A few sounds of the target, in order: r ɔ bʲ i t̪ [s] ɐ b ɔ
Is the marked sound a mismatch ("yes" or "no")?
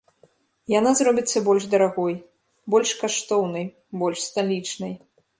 yes